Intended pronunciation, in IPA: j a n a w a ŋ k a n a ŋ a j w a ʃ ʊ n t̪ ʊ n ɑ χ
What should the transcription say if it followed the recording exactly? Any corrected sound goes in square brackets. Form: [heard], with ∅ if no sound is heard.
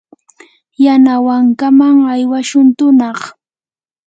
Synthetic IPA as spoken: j a n a w a ŋ k a [m] a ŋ a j w a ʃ ʊ n t̪ ʊ n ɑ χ